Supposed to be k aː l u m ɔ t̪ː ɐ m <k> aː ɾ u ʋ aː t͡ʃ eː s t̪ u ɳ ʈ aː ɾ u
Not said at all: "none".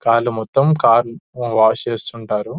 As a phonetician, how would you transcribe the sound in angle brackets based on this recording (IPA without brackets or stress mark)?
k